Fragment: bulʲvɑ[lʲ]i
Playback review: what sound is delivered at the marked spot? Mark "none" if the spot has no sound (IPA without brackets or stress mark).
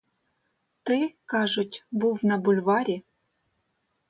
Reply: ɾʲ